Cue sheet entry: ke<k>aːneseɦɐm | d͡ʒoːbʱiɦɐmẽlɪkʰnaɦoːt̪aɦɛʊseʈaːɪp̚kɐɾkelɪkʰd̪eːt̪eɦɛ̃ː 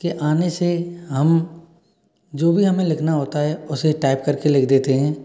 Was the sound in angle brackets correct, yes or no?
no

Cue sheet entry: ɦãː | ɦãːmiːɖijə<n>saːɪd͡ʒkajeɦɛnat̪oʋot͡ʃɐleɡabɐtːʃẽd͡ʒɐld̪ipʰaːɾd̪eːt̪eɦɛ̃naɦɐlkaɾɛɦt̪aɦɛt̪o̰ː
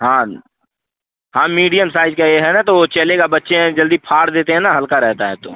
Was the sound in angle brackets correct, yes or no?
no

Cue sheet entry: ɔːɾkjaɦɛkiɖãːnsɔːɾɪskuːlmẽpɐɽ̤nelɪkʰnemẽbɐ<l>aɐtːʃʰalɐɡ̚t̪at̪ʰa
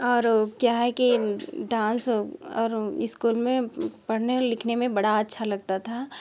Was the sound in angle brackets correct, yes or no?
no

